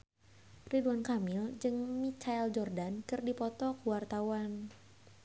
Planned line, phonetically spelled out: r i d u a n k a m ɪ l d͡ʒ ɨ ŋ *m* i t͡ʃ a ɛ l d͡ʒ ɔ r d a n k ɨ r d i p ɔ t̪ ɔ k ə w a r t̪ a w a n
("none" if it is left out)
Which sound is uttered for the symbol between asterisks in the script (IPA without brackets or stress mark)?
m